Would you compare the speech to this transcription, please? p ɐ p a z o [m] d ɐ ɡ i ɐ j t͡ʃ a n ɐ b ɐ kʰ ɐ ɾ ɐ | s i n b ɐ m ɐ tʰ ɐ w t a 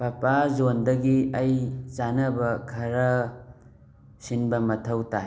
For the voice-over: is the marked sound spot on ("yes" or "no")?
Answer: no